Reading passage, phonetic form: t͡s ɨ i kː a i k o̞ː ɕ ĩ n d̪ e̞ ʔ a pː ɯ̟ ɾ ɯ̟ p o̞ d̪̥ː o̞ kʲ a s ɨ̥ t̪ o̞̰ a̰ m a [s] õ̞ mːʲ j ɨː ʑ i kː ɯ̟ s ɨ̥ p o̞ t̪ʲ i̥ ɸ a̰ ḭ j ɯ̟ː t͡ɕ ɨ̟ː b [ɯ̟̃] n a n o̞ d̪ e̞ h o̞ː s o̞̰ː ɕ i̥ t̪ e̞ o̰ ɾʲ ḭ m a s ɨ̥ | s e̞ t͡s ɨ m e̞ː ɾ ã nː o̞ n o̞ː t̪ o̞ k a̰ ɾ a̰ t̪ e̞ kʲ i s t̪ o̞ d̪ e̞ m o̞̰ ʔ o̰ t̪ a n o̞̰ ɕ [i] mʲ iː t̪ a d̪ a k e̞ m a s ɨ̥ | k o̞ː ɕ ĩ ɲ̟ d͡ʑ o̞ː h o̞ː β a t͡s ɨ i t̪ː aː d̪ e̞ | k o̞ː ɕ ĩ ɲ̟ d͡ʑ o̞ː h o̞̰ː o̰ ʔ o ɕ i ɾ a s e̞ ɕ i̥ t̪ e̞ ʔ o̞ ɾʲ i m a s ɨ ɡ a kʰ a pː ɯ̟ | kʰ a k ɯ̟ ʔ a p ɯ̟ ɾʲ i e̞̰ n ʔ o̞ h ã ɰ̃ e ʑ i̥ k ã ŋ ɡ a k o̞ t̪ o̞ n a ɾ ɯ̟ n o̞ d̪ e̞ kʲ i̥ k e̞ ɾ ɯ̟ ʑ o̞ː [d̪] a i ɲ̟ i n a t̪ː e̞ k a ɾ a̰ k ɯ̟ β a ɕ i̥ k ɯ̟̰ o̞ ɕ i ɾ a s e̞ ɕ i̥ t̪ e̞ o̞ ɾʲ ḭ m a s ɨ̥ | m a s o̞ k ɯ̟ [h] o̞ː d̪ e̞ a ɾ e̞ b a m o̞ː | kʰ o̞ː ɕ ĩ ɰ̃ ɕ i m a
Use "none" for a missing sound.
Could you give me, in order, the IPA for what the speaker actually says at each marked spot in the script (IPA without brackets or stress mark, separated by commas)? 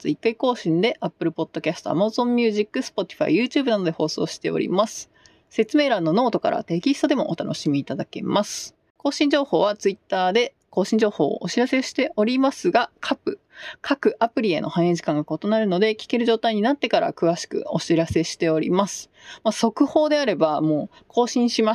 z, ɯ̟, i, t̪, h